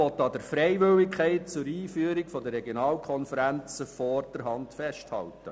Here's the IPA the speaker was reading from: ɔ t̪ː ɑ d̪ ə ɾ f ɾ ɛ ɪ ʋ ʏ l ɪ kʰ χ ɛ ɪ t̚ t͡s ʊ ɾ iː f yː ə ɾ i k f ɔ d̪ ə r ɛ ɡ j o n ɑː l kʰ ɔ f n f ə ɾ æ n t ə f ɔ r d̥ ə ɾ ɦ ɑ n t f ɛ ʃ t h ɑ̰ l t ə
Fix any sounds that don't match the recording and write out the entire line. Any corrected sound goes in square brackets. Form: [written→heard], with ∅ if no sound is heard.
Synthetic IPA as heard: ɔ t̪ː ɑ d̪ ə ɾ f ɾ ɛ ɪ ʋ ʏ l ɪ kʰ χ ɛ ɪ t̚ t͡s ʊ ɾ iː f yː ə ɾ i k f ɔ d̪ ə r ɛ ɡ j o n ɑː l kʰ ɔ [f→∅] n f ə ɾ æ n [t→t͡s] ə f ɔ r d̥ ə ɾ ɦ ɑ n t f ɛ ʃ t h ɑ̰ l t ə